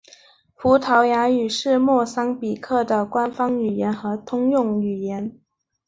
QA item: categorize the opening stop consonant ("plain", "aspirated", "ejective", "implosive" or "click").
aspirated